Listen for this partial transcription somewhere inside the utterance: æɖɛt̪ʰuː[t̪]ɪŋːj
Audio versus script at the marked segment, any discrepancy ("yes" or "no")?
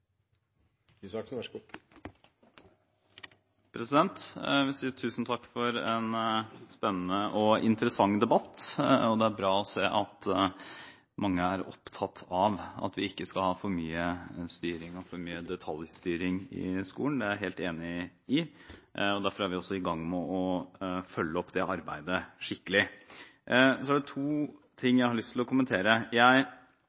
yes